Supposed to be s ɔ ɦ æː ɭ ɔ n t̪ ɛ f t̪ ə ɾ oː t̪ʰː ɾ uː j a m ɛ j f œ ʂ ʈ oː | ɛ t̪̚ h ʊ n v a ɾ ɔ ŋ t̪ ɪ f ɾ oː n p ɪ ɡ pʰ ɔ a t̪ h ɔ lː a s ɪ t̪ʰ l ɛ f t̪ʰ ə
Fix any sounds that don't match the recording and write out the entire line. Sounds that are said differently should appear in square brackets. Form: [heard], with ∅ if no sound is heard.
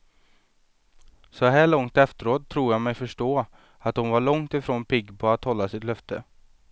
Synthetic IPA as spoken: s ɔ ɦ æː ɭ ɔ [ŋ] t̪ ɛ f t̪ ə ɾ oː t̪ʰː ɾ uː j a m ɛ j f œ ʂ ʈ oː | [a] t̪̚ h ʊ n v a [ɭ] ɔ ŋ t̪ ɪ f ɾ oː n p ɪ ɡ pʰ ɔ a t̪ h ɔ lː a s ɪ [t̪] l [œ] f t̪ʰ ə